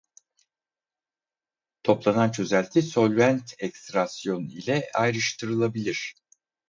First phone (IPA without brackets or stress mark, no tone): t̪ʰ